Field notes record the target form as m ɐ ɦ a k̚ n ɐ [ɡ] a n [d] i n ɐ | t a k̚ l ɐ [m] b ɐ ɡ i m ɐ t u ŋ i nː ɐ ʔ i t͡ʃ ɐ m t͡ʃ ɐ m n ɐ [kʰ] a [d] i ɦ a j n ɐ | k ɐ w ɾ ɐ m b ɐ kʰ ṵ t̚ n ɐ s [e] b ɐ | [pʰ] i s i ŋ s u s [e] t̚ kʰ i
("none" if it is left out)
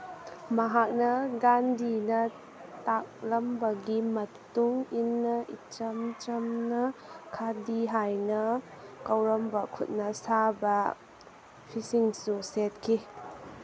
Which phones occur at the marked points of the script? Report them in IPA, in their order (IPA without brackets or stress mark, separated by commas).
ɡ, d, m, kʰ, d, a, pʰ, e